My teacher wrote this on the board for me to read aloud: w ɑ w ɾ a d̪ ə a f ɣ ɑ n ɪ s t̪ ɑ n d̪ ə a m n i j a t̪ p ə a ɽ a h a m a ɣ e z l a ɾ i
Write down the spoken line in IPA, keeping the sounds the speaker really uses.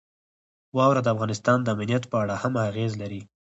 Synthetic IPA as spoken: w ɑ w ɾ a d̪ ə a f ɣ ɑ n ɪ s t̪ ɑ n d̪ ə a m n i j a t̪ p ə a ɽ a h a m a ɣ e z l a ɾ i